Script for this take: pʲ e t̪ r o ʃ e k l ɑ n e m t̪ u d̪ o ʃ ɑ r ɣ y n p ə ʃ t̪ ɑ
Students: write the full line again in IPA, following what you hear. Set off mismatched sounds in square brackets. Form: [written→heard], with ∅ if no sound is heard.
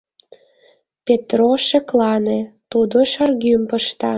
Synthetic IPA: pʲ e t̪ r o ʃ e k l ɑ n e [m→∅] t̪ u d̪ o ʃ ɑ r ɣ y [n→m] p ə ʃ t̪ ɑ